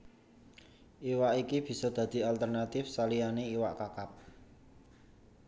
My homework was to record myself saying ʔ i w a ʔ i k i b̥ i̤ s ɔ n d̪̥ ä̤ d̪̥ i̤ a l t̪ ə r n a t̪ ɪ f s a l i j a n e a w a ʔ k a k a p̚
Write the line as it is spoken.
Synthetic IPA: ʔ i w a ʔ i k i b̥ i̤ s ɔ d̪̥ ä̤ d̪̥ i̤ a l t̪ ə r n a t̪ ɪ f s a l i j a n e i w a ʔ k a k a p̚